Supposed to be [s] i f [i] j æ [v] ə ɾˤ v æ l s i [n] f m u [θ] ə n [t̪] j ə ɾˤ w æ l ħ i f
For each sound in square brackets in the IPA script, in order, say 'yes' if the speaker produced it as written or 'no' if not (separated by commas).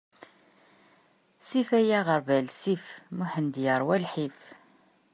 yes, no, no, no, no, no